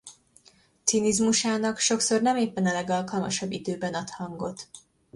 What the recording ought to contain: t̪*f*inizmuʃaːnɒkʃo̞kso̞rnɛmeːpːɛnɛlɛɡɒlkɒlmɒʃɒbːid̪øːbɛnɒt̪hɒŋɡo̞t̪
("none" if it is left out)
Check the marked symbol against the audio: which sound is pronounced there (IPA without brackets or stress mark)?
s